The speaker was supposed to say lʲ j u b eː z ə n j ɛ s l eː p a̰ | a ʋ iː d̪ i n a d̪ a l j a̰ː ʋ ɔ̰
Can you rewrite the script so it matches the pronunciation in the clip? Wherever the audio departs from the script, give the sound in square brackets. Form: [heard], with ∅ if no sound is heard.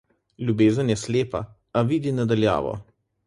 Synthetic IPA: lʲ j u b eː z ə n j ɛ s l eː p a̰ | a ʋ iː d̪ i n a d̪ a l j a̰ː ʋ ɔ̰